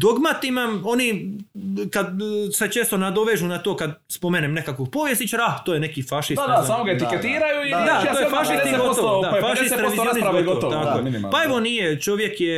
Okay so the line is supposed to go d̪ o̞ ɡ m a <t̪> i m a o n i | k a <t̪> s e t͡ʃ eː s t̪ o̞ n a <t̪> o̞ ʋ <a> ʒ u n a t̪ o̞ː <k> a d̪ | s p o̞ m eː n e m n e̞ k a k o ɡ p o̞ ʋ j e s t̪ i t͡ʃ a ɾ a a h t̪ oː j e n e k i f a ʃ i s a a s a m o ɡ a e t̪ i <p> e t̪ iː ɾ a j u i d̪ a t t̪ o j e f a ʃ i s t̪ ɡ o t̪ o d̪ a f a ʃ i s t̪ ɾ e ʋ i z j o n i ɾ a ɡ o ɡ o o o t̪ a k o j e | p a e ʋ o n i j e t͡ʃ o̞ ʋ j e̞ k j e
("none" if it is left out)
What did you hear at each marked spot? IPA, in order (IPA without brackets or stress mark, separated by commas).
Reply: t̪, d̪, d̪, e, k, k